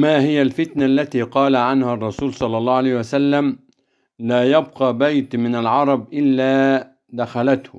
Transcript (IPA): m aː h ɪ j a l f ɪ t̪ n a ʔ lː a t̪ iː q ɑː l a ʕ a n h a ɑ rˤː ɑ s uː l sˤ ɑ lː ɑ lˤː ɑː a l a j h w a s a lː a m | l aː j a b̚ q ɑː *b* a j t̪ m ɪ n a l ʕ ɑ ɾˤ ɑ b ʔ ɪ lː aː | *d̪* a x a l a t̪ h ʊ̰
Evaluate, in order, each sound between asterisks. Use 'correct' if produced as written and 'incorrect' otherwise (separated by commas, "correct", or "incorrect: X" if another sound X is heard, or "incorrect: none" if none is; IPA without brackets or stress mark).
correct, correct